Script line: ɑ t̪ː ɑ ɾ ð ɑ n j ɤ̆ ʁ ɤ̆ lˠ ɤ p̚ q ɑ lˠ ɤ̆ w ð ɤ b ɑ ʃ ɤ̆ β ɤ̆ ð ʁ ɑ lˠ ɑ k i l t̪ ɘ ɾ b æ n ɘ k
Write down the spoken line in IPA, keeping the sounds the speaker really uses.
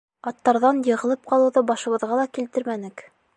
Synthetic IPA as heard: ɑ t̪ː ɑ ɾ ð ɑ n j ɤ̆ ʁ ɤ̆ lˠ ɤ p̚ q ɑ lˠ ɤ̆ w ð ɤ b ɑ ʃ ɤ̆ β ɤ̆ ð ʁ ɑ lˠ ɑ k i l t̪ ɘ ɾ m æ n ɘ k